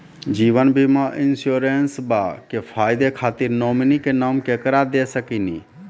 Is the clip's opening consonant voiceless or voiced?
voiced